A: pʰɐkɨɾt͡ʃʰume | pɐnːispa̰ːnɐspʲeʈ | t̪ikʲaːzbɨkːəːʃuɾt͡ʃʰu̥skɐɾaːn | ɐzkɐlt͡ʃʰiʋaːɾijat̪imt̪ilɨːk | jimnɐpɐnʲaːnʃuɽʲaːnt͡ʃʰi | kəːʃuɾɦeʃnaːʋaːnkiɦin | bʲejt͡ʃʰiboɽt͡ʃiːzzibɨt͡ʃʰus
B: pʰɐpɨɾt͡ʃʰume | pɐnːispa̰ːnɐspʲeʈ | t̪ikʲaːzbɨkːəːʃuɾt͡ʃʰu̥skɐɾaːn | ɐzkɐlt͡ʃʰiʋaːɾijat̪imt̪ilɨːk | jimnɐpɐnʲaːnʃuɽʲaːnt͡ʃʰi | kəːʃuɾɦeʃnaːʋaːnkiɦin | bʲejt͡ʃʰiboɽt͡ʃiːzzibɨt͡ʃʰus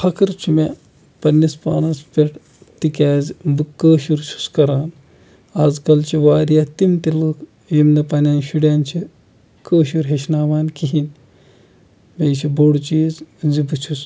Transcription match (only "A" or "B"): A